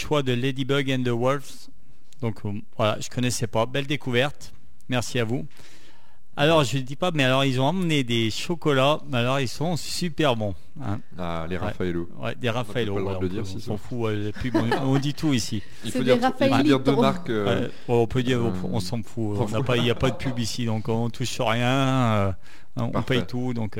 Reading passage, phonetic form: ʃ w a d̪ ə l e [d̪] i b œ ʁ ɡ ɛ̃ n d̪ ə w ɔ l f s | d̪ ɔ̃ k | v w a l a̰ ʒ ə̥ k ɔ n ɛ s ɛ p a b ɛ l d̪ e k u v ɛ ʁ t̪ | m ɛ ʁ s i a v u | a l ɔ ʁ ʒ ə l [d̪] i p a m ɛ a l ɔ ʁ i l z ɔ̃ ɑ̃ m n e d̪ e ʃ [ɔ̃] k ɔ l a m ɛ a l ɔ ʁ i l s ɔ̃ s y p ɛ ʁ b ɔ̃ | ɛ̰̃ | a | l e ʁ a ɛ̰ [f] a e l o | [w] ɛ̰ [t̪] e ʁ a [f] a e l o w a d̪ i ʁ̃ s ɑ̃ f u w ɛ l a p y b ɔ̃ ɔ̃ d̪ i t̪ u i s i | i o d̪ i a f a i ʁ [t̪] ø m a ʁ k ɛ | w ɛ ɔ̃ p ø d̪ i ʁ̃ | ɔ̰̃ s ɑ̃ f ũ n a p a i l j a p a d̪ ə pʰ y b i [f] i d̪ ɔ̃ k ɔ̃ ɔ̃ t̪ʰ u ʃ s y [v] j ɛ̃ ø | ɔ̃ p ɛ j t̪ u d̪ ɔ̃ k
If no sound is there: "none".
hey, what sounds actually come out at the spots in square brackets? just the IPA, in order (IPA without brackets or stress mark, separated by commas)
d̪, d̪, ɔ, f, w, d̪, f, d̪, s, ʁ